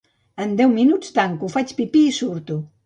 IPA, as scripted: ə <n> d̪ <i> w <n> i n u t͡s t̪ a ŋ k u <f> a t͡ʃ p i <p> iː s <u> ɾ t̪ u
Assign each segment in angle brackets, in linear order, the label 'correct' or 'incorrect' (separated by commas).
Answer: correct, incorrect, incorrect, correct, correct, correct